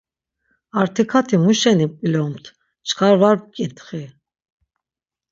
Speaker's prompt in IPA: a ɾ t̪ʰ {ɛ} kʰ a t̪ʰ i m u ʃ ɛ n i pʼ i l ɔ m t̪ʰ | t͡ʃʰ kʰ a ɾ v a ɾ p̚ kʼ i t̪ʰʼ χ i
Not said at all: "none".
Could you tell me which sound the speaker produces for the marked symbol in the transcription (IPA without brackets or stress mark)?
i